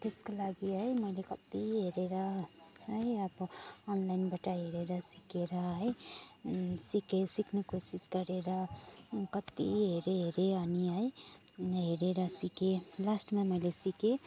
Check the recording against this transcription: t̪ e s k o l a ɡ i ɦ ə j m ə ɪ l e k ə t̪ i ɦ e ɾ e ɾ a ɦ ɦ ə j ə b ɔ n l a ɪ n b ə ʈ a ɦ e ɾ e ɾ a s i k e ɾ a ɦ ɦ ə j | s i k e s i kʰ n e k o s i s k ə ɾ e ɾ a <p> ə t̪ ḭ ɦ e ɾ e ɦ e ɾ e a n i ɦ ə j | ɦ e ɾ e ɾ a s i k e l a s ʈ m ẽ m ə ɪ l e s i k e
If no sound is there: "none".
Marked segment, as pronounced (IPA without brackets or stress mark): k